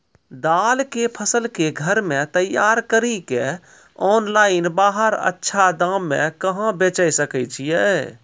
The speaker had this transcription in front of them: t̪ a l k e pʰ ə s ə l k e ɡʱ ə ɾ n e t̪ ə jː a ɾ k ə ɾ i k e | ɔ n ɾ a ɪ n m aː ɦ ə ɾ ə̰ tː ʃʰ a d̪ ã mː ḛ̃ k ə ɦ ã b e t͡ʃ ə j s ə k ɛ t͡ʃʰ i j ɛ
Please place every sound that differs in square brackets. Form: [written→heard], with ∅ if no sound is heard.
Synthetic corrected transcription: [t̪→d̪] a l k e pʰ ə s ə l k e ɡʱ ə ɾ [n→m] e t̪ ə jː a ɾ k ə ɾ i k e | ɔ n [ɾ→l] a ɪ n [m→b] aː ɦ ə ɾ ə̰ tː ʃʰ a d̪ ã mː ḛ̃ k ə ɦ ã b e t͡ʃ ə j s ə k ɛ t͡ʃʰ i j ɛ